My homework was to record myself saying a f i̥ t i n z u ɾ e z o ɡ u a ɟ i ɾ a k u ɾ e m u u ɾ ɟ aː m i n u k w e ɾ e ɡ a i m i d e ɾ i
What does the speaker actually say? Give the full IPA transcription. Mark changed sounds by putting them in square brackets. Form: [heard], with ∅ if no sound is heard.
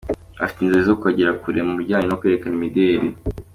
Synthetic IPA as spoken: a f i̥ t i n z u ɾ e z o [k] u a ɟ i ɾ a k u ɾ e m u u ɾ ɟ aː [ɲ] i n [o] k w e ɾ e [k] a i m i d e ɾ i